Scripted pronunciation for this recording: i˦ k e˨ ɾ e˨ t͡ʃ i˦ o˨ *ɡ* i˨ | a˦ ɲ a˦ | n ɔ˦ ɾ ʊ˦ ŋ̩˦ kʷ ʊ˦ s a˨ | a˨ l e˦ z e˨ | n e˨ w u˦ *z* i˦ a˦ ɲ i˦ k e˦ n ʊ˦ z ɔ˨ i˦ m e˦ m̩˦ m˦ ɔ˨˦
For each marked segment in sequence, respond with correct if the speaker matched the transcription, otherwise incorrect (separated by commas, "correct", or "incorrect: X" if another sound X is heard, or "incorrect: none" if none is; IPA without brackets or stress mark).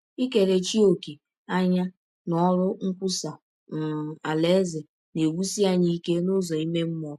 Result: incorrect: k, incorrect: s